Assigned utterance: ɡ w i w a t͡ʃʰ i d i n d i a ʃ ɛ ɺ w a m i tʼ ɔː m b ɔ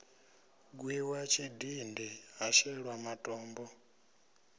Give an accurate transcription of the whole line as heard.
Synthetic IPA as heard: ɡ w i w a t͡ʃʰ i d i n d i a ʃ ɛ ɺ w a m a tʼ ɔː m b ɔ